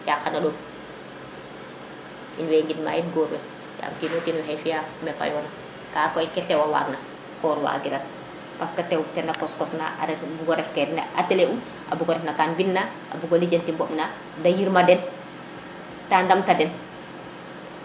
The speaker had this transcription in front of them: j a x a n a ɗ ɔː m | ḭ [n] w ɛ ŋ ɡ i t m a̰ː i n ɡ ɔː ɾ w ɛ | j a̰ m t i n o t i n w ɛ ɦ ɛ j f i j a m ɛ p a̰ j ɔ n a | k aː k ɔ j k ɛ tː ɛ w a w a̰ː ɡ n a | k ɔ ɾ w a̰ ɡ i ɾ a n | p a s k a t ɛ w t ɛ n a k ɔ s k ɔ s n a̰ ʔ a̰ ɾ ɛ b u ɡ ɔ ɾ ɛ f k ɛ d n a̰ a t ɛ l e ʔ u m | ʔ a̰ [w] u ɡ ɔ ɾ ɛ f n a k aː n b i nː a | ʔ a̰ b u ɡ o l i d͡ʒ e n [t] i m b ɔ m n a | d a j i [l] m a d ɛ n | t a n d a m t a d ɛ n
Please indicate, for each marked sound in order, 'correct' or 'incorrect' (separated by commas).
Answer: correct, incorrect, correct, incorrect